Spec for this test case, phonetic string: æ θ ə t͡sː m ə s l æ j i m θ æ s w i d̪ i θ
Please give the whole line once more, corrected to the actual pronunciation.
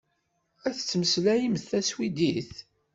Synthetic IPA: æ θ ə t͡sː m ə s l æ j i m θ æ s w i d̪ i θ